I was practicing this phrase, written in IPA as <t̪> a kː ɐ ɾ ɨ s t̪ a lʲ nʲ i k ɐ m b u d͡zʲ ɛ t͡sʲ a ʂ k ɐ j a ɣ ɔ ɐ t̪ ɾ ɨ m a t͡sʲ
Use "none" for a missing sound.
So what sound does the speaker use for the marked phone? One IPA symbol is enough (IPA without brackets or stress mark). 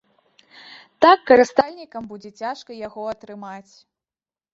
t̪